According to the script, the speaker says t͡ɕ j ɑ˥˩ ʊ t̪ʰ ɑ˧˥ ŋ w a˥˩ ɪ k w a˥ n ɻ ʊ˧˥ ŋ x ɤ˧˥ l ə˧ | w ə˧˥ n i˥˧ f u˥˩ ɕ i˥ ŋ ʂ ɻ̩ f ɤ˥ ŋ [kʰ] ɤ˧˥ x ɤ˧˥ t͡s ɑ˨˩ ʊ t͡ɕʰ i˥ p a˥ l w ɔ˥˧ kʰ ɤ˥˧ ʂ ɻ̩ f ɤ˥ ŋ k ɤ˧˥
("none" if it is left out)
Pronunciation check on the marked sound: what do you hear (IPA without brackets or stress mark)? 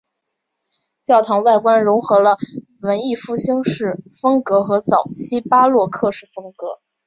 k